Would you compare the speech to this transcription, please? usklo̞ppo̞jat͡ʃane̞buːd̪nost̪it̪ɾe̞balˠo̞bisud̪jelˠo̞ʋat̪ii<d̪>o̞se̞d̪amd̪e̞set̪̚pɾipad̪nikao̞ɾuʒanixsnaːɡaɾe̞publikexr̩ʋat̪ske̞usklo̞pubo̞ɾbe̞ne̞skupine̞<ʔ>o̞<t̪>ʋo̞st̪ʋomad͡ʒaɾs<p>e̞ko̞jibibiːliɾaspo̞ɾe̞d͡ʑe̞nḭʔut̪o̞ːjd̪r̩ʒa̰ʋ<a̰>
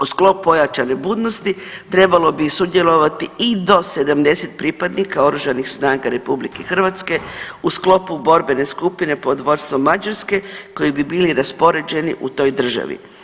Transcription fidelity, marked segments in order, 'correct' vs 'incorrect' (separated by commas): correct, incorrect, incorrect, incorrect, incorrect